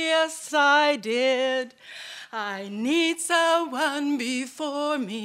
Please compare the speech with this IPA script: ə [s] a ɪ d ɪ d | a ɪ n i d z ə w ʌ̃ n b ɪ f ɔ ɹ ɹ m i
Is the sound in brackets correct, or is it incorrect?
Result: correct